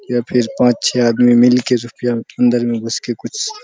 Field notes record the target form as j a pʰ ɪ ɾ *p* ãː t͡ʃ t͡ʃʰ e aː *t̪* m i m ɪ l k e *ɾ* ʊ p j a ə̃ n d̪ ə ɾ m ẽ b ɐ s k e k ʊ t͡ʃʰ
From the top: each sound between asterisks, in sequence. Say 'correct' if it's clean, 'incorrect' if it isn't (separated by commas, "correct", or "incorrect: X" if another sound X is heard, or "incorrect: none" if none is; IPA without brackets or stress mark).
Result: correct, incorrect: d̪, correct